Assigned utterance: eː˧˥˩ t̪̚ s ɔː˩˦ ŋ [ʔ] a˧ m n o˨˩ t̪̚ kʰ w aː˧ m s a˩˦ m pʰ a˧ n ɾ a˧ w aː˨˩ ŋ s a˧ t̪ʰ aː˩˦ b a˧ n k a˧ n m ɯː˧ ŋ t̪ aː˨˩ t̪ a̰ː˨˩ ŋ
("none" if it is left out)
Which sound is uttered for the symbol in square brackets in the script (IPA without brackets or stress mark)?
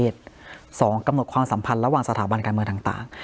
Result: k